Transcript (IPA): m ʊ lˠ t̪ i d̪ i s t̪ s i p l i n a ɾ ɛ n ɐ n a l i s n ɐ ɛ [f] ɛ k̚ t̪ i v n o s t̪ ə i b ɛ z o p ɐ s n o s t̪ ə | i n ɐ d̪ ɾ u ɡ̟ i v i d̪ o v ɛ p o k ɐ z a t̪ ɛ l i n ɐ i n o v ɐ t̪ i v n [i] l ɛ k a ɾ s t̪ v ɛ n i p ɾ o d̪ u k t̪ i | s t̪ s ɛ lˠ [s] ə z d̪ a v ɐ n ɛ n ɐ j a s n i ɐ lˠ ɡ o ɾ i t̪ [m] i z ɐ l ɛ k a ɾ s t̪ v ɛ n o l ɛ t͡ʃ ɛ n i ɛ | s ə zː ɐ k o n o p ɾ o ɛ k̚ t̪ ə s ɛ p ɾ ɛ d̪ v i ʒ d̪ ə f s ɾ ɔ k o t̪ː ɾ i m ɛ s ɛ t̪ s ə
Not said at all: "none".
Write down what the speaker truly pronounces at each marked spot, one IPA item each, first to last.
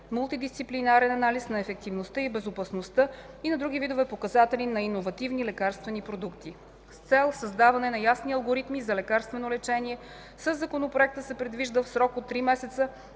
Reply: f, i, s, m

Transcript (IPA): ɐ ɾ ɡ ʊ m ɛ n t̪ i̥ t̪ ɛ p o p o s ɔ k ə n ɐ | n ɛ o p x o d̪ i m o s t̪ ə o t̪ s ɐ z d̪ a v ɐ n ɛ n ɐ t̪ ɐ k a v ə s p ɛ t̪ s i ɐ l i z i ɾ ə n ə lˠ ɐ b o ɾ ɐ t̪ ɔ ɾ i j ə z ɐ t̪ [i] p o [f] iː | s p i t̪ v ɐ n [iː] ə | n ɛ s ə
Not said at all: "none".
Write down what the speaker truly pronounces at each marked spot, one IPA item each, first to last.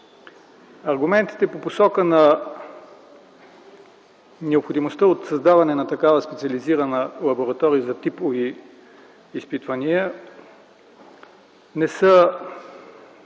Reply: i, v, i

